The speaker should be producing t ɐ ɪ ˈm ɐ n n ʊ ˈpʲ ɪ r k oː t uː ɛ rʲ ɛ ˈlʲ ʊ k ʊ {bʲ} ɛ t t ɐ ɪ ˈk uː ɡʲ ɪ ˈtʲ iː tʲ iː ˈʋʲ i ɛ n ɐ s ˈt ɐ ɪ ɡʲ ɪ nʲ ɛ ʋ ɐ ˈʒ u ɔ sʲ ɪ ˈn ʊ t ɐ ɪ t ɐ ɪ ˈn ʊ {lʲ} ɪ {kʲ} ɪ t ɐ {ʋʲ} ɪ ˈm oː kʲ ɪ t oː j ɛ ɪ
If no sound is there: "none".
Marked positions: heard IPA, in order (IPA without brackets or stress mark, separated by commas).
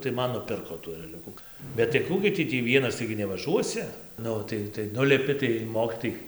bʲ, lʲ, pʲ, none